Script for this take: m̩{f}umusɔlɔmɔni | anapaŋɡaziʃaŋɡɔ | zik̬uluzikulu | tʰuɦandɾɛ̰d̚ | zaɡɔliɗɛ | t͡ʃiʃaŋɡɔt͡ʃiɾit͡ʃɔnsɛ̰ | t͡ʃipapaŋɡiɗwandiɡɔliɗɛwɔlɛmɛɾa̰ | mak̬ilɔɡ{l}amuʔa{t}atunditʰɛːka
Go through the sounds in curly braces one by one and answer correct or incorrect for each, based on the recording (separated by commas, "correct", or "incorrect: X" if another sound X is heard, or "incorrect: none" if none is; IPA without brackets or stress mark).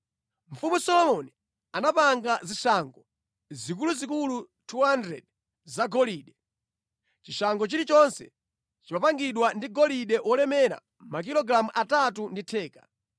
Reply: correct, incorrect: ɾ, correct